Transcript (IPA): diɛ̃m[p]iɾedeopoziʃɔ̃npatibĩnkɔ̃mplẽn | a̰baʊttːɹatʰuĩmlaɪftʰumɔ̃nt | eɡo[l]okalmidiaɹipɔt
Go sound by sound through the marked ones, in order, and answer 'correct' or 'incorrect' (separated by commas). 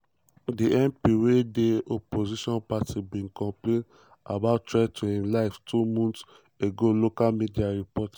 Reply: correct, correct